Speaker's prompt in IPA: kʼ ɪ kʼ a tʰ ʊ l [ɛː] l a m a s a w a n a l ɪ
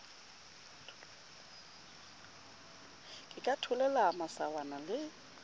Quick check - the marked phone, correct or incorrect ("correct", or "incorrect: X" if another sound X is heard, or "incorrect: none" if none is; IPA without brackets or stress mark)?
incorrect: ɛ